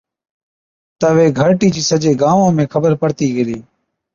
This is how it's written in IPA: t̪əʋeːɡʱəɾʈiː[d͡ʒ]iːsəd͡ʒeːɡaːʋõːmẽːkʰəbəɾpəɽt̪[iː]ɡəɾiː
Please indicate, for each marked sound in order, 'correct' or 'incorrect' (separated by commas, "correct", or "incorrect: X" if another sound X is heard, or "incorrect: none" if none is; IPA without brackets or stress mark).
correct, correct